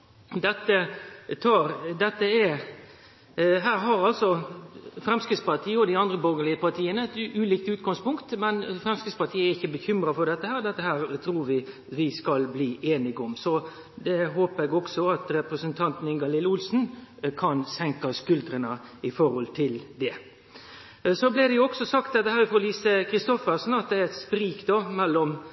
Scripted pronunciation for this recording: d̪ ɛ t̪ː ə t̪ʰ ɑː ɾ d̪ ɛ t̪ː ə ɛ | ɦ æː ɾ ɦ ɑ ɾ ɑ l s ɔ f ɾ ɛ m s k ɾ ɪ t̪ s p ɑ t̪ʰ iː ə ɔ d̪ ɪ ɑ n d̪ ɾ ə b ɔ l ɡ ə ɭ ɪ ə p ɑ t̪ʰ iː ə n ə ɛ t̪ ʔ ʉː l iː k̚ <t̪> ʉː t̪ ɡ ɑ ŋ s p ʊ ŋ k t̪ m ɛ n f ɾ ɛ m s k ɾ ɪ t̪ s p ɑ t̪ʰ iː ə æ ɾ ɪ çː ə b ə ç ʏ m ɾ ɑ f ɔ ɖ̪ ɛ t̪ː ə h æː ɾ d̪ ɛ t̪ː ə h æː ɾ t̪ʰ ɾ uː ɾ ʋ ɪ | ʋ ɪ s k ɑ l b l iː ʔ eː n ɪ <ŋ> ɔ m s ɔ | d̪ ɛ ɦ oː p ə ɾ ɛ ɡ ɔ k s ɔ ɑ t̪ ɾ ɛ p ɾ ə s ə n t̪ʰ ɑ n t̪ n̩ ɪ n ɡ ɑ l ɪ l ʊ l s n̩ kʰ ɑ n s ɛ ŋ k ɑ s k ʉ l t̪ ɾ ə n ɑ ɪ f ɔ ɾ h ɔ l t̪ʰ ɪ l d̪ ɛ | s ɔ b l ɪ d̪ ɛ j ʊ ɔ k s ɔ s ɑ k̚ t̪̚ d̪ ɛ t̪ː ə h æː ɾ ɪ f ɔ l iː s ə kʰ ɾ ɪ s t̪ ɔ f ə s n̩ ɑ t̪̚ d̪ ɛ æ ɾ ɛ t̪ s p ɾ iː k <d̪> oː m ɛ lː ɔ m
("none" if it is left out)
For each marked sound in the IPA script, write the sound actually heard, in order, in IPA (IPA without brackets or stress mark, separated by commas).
t̪, ɡ, d̪